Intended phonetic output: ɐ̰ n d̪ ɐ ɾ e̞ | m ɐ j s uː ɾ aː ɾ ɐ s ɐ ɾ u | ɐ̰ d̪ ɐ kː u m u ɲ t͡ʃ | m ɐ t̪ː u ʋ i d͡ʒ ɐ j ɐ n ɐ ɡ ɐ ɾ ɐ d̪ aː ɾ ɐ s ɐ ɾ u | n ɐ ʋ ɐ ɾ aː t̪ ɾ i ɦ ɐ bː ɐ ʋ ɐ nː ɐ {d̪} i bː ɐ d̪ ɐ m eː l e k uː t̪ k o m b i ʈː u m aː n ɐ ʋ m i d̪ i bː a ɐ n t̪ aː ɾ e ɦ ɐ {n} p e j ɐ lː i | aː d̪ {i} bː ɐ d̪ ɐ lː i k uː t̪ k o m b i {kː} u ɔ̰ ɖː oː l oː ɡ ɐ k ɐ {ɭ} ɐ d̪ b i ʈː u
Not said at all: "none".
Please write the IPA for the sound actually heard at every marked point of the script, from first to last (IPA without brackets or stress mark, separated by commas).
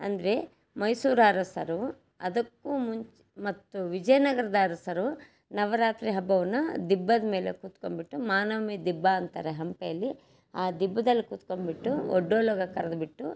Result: d̪, m, i, ʈː, ɾ